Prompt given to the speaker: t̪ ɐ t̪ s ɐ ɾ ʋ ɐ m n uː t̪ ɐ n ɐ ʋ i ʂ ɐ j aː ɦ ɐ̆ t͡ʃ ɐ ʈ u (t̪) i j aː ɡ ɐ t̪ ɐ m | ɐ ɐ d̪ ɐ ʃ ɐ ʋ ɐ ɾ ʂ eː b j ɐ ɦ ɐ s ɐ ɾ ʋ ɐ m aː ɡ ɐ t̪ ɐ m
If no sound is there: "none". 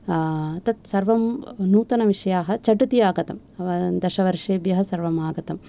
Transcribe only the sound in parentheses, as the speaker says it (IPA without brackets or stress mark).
t̪